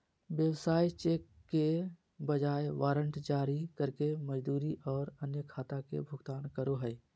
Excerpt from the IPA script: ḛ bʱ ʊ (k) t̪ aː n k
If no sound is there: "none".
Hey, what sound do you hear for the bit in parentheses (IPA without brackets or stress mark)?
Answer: ɡ